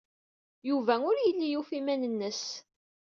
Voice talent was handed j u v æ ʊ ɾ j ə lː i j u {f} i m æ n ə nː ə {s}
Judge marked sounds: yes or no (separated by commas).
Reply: yes, yes